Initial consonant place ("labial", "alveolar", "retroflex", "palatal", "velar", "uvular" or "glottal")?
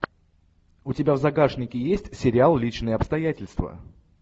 alveolar